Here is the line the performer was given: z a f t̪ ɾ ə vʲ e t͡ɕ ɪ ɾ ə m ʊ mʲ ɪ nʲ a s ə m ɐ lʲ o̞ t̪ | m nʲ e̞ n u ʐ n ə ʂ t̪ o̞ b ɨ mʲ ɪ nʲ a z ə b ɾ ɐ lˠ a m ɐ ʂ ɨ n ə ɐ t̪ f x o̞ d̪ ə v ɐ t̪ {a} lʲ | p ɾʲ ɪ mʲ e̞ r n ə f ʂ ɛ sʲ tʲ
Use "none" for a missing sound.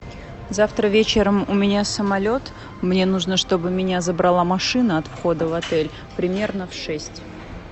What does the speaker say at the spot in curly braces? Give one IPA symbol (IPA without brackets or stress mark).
ɛ